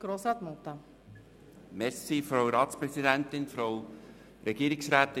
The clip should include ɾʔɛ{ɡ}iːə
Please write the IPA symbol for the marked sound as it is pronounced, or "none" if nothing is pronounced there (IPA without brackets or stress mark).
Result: ɡ